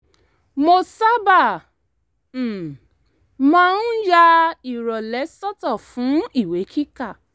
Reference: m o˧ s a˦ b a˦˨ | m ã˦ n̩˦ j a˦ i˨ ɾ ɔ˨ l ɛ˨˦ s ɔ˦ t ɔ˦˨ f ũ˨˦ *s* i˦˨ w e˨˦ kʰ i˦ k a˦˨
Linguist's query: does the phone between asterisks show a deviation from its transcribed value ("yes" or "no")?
yes